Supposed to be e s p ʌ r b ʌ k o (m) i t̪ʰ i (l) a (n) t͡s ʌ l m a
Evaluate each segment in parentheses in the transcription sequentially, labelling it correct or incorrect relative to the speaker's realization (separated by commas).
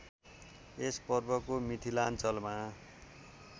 correct, correct, correct